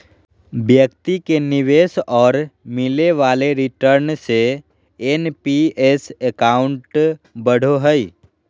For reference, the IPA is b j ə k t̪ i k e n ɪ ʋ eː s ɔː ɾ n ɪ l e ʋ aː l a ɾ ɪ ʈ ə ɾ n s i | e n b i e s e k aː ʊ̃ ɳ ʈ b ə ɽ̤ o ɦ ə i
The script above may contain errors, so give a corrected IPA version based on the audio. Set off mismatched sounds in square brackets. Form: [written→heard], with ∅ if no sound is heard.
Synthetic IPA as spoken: b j ə k t̪ i k e n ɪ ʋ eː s ɔː ɾ [n→m] ɪ l e ʋ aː l [a→e] ɾ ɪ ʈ ə ɾ n s [i→e] | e n [b→p] i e s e k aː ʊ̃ ɳ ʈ b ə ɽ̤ o ɦ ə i

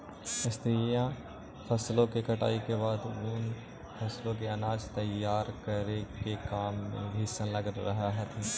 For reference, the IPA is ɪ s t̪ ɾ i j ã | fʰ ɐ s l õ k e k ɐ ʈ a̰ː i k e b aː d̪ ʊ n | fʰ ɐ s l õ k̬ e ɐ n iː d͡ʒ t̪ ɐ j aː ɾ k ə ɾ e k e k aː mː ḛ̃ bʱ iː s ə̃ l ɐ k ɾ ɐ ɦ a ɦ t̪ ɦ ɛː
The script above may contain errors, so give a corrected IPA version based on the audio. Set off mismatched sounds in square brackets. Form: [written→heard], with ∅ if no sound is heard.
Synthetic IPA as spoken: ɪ s t̪ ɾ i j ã | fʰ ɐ s l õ k e k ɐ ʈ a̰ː i k e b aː d̪ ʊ n | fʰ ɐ s l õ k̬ e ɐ n [iː→aː] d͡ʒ t̪ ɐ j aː ɾ k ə ɾ e k e k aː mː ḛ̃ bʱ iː s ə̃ l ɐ [k→ɡ] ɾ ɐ ɦ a ɦ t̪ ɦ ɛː

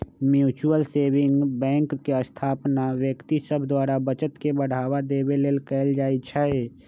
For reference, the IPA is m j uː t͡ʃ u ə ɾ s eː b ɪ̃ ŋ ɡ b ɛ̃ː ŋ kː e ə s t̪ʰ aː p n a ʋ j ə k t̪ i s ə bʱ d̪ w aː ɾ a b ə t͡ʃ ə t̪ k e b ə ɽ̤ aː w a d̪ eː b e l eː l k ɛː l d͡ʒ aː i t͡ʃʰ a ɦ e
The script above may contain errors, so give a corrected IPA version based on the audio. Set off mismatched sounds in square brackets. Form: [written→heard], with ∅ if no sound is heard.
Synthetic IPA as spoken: m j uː t͡ʃ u ə [ɾ→l] s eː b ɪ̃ ŋ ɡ b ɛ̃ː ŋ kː e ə s t̪ʰ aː p n a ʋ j ə k t̪ i s ə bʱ d̪ w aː ɾ a b ə t͡ʃ ə t̪ k e b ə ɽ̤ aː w a d̪ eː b e l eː l k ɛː l d͡ʒ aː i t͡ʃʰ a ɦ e

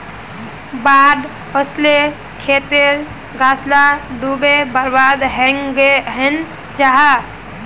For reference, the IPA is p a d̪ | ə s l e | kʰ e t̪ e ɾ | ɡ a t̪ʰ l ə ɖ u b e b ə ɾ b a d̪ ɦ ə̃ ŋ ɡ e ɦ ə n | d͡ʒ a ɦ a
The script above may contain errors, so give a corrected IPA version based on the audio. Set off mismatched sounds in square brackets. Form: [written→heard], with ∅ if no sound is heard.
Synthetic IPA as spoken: [p→b] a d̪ | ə s l e | kʰ e t̪ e ɾ | ɡ a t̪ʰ l [ə→a] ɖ u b e b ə ɾ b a d̪ ɦ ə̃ ŋ ɡ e ɦ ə n | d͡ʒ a ɦ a

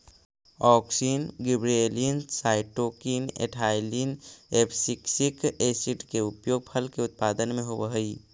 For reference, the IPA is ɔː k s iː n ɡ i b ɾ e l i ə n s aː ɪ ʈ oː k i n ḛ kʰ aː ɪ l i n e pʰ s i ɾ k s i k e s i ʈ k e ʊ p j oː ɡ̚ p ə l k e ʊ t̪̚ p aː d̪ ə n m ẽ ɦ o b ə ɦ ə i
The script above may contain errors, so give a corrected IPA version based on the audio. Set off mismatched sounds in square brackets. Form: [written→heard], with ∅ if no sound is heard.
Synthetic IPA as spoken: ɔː k s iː n ɡ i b ɾ e l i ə n s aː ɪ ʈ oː k i n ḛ [kʰ→ʈʰ] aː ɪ l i n e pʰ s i [ɾ→∅] k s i k e s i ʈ k e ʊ p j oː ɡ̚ [p→pʰ] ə l k e ʊ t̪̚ p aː d̪ ə n m ẽ ɦ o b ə ɦ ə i

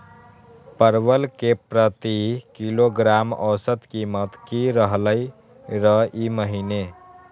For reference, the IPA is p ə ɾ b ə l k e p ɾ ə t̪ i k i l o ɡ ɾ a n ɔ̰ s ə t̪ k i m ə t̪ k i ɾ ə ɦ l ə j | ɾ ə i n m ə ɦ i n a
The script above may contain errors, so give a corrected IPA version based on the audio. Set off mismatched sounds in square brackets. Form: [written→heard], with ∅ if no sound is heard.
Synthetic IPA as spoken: p ə ɾ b ə l k e p ɾ ə t̪ i k i l o ɡ ɾ a [n→m] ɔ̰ s ə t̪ k i m ə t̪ k i ɾ ə ɦ l ə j | ɾ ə i [n→∅] m ə ɦ i n [a→e]

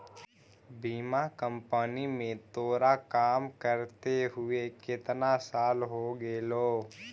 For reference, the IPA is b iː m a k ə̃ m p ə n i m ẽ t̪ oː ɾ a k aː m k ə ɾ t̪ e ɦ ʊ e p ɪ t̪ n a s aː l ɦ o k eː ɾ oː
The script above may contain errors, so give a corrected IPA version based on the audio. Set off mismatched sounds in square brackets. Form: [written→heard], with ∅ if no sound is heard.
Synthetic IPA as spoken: b iː m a k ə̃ m p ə n i m ẽ t̪ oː ɾ a k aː m k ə ɾ t̪ e ɦ ʊ e [p→k] ɪ t̪ n a s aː l ɦ o [k→ɡ] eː [ɾ→l] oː

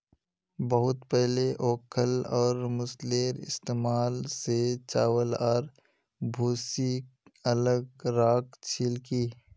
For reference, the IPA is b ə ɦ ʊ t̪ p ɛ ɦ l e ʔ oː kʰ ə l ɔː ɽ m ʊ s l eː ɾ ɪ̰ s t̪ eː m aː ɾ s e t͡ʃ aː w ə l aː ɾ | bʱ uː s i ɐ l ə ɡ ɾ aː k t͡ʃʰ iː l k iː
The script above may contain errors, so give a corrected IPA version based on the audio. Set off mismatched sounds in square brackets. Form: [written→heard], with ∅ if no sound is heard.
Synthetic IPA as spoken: b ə ɦ ʊ t̪ p ɛ ɦ l e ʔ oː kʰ ə l ɔː [ɽ→ɾ] m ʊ s l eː ɾ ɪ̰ s t̪ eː m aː [ɾ→l] s e t͡ʃ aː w ə l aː ɾ | bʱ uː s i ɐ l ə ɡ ɾ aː k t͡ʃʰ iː l k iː

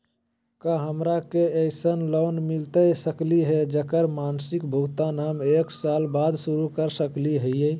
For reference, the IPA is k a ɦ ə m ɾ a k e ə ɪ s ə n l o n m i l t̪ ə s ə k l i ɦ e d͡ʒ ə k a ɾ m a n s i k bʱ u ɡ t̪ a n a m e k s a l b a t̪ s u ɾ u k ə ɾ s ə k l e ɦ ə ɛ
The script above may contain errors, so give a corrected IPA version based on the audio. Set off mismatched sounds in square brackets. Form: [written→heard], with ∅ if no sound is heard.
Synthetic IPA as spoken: k a ɦ ə m ɾ a k e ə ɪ s ə n l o n m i l t̪ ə s ə k l i ɦ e d͡ʒ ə k [a→ə] ɾ m a n s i k bʱ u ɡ t̪ a n a m e k s a l b a [t̪→d̪] s u ɾ u k ə ɾ s ə k l [e→i] ɦ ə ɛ

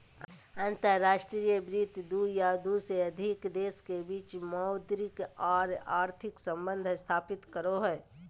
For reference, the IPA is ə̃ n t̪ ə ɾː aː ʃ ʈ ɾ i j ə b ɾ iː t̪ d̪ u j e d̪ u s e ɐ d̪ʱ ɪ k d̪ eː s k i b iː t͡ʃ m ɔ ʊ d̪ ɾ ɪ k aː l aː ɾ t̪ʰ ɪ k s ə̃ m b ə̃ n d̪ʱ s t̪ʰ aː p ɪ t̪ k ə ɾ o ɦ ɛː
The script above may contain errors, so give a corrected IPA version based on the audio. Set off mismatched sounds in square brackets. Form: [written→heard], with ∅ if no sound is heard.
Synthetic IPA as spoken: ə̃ n t̪ ə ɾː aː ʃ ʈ ɾ i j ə b ɾ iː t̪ d̪ u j [e→a] d̪ u s e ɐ d̪ʱ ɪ k d̪ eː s k [i→e] b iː t͡ʃ m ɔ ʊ d̪ ɾ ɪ k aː [l→ɾ] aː ɾ t̪ʰ ɪ k s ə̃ m b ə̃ n d̪ʱ s t̪ʰ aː p ɪ t̪ k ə ɾ o ɦ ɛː

